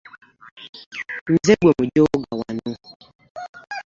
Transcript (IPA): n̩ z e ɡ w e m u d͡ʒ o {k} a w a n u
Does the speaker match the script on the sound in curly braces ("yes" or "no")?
no